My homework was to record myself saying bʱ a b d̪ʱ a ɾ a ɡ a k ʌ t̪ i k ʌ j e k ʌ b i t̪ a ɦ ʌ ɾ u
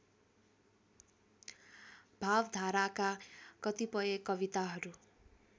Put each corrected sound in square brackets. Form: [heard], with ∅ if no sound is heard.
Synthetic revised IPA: bʱ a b d̪ʱ a ɾ a [k] a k ʌ t̪ i [p] ʌ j e k ʌ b i t̪ a ɦ ʌ ɾ u

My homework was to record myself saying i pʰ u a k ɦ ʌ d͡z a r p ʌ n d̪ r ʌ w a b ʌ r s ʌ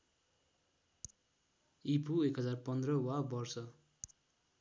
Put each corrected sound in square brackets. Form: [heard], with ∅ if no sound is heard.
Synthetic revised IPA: i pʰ u [e] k ɦ ʌ d͡z a r p ʌ n d̪ r ʌ w a b ʌ r s ʌ

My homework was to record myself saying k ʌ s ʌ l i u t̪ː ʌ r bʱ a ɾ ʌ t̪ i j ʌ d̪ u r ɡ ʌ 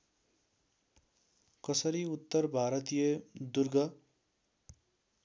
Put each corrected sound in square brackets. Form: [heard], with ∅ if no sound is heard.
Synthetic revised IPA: k ʌ s ʌ [ɾ] i u t̪ː ʌ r bʱ a ɾ ʌ t̪ i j ʌ d̪ u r ɡ ʌ

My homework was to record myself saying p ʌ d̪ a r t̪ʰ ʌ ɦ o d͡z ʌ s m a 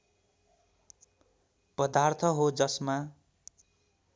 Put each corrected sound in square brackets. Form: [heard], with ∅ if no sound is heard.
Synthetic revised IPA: p ʌ d̪ a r t̪ʰ ʌ ɦ o d͡z ʌ s m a

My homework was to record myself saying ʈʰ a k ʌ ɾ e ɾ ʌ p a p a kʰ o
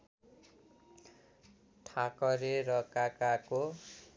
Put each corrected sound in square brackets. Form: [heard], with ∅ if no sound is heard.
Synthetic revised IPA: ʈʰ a k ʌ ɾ e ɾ ʌ [k] a [k] a [k] o

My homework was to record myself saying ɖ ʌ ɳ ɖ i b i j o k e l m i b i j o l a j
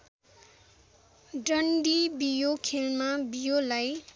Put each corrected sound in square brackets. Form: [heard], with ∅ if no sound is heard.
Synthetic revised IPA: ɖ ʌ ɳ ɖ i b i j o [kʰ] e l m [a] b i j o l a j

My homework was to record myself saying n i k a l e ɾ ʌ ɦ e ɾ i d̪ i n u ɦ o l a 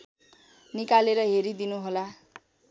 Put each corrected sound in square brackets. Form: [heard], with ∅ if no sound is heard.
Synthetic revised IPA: n i k a l e ɾ ʌ ɦ e ɾ i d̪ i n u ɦ o l a

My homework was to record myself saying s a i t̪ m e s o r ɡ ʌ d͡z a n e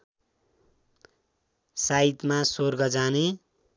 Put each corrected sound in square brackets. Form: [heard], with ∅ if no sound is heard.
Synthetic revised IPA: s a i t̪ m [a] s o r ɡ ʌ d͡z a n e

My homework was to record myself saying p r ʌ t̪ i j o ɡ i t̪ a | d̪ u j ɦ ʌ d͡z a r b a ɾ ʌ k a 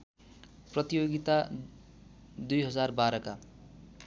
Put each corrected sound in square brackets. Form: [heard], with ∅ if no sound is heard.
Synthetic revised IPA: p r ʌ t̪ i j o ɡ i t̪ a | d̪ u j ɦ ʌ d͡z a r b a ɾ ʌ k a

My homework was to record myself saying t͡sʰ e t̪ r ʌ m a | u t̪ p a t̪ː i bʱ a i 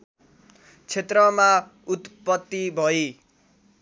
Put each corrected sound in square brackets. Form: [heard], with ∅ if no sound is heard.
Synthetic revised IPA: t͡sʰ e t̪ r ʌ m a | u t̪ p [ʌ] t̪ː i bʱ [ʌ] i

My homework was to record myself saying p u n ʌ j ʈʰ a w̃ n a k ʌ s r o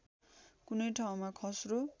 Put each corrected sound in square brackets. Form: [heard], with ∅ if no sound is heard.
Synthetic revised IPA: [k] u n ʌ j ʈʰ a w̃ [m] a [kʰ] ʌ s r o

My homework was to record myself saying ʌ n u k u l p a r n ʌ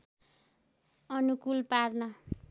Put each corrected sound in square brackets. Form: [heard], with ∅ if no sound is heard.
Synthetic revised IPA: ʌ n u k u l p a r n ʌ

